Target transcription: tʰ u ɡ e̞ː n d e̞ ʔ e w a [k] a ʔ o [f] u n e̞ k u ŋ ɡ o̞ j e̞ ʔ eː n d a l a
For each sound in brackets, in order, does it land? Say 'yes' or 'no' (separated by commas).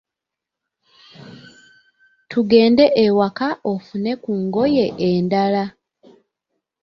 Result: yes, yes